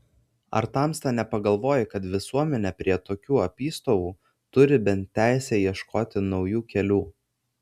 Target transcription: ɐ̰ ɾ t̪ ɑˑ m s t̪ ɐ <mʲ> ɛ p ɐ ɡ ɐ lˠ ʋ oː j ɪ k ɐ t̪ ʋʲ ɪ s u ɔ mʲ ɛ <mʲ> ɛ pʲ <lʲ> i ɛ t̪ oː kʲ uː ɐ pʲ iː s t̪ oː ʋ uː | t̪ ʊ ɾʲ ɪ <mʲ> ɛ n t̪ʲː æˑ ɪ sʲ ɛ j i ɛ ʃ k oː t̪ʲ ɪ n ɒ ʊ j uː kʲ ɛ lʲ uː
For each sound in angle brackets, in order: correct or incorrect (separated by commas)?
incorrect, incorrect, incorrect, incorrect